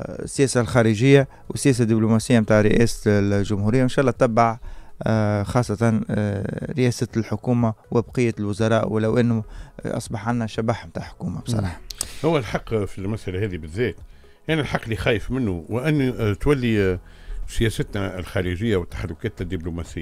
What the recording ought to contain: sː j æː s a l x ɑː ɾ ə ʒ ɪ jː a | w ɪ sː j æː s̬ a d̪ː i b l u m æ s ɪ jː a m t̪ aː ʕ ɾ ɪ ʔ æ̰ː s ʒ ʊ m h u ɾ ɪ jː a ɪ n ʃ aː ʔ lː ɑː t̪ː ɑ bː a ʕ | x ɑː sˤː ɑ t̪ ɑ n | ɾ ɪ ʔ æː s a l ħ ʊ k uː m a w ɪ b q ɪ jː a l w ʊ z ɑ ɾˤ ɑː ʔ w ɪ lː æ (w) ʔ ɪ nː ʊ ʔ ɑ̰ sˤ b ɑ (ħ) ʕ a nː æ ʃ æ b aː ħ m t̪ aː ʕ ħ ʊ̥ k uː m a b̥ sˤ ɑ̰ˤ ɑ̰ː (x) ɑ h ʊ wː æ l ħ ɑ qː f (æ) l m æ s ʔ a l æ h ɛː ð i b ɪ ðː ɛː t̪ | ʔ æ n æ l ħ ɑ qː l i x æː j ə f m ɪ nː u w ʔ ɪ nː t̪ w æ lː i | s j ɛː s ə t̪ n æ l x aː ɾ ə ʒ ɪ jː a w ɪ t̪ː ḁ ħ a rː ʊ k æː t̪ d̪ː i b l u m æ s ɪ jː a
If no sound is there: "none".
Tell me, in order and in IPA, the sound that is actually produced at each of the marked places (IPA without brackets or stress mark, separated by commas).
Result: w, ħ, ħ, i